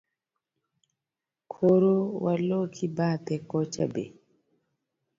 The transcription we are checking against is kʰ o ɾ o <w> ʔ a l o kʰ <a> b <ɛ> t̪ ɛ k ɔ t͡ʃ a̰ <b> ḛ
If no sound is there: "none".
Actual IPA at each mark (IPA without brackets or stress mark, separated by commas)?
w, i, a, b